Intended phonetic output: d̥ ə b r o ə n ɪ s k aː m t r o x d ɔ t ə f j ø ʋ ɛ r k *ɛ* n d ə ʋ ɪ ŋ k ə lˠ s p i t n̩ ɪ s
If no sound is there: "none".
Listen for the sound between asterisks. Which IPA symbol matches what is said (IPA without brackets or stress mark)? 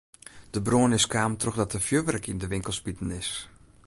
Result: i